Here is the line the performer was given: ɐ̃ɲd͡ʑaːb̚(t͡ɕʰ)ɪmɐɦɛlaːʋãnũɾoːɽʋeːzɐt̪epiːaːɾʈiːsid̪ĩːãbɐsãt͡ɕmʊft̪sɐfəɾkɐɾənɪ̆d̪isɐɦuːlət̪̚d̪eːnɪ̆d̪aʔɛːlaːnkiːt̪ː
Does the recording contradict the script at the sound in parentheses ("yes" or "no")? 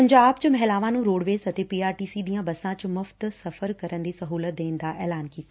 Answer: yes